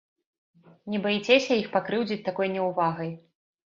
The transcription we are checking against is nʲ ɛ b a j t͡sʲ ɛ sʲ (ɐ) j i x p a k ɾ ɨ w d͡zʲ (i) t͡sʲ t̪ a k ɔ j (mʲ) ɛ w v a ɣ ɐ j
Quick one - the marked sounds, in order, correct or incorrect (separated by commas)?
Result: correct, correct, incorrect